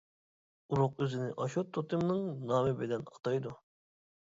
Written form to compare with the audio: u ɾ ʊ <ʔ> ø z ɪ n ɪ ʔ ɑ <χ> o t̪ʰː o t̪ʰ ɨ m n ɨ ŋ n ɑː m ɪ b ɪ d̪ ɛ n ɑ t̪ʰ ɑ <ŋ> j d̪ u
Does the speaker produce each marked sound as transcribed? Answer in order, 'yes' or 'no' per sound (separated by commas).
no, no, no